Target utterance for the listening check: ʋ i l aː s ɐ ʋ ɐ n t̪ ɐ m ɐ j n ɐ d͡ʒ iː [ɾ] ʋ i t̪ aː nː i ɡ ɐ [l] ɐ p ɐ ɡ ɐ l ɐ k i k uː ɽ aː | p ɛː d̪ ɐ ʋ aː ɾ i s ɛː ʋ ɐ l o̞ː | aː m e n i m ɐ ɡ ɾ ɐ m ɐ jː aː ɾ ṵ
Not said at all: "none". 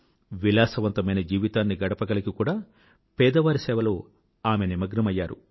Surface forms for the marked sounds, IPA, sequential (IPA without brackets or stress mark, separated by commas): none, ɽ